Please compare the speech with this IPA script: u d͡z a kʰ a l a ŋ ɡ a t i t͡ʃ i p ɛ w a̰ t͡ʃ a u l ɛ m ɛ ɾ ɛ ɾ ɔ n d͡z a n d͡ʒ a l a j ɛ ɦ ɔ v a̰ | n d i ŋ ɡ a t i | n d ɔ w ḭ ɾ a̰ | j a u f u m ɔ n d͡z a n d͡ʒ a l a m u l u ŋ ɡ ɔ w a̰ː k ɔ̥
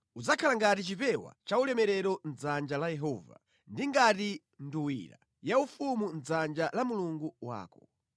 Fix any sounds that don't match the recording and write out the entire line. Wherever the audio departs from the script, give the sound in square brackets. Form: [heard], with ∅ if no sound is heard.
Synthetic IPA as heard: u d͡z a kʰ a l a ŋ ɡ a t i t͡ʃ i p ɛ w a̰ t͡ʃ a u l ɛ m ɛ ɾ ɛ ɾ ɔ n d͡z a n d͡ʒ a l a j ɛ ɦ ɔ v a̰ | n d i ŋ ɡ a t i | n d [u] w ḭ ɾ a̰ | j a u f u m [u] n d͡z a n d͡ʒ a l a m u l u ŋ ɡ [u] w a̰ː k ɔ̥